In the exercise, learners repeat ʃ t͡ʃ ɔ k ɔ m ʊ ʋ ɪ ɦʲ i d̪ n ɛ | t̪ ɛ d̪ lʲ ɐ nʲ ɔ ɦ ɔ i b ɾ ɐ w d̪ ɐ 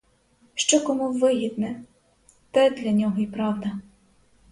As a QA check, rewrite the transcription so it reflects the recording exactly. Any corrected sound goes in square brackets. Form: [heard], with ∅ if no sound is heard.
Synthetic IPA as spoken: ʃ t͡ʃ ɔ k ɔ m [u] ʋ ɪ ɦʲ i d̪ n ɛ | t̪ ɛ d̪ lʲ ɐ nʲ ɔ ɦ ɔ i [p] ɾ [ɑ] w d̪ ɐ